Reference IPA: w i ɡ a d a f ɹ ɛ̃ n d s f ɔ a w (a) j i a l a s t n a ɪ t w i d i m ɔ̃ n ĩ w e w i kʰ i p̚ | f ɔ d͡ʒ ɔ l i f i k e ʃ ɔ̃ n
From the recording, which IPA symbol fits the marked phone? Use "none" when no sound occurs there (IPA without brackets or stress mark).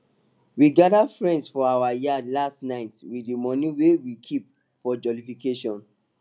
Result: a